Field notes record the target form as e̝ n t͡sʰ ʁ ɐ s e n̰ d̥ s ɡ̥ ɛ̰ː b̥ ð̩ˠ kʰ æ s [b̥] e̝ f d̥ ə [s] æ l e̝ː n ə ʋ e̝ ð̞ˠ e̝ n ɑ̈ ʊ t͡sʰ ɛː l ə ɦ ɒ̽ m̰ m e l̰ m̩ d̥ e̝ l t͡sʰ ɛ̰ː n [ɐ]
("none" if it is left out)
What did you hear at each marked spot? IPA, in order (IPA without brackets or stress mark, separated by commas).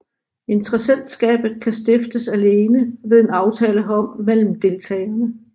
d̥, s, ə